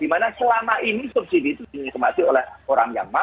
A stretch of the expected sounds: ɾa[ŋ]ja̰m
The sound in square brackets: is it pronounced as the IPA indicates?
yes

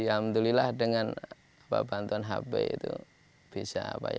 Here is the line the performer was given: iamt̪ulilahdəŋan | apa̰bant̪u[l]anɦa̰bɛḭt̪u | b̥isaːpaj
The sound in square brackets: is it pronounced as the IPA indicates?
no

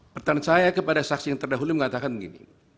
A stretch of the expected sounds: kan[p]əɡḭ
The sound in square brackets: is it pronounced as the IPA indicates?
no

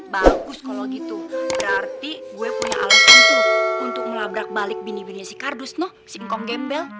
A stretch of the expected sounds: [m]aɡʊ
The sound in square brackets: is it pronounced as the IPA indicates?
no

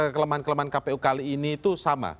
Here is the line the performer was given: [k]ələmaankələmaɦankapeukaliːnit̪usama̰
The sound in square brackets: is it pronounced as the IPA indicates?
yes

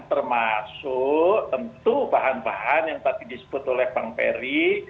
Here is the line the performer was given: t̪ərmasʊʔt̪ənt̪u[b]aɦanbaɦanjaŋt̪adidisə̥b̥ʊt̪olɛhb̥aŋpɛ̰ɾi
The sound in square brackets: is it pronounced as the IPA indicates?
yes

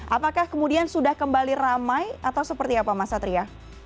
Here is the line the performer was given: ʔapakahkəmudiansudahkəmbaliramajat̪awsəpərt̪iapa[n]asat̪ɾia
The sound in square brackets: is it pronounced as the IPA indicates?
no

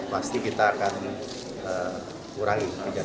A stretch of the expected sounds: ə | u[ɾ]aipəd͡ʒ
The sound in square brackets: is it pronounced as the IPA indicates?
yes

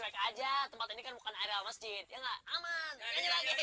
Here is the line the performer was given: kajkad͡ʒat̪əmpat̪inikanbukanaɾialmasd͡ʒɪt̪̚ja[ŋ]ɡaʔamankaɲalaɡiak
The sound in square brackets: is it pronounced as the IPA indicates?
yes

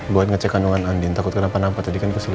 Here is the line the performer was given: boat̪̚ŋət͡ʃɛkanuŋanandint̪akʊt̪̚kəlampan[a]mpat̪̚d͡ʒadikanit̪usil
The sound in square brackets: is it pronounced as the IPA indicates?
yes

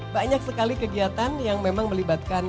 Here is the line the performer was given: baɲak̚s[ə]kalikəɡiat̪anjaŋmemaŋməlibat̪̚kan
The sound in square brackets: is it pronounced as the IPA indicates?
yes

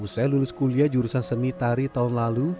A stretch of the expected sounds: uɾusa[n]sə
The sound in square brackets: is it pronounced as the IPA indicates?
yes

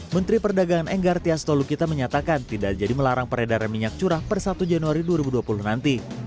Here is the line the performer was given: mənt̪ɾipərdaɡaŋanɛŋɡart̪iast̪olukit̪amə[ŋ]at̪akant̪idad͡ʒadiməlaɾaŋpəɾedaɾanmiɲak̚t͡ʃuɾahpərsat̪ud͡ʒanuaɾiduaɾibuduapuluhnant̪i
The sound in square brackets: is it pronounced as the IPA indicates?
no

